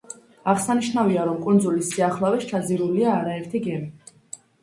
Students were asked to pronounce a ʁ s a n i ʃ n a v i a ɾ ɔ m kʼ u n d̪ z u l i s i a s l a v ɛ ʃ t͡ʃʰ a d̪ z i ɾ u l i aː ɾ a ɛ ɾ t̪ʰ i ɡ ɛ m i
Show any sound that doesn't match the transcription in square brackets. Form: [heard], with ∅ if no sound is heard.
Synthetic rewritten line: a ʁ s a n i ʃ n a v i a ɾ ɔ m kʼ u n d̪ z u l i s i a [χ] l a v ɛ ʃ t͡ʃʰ a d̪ z i ɾ u l i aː ɾ a ɛ ɾ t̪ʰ i ɡ ɛ m i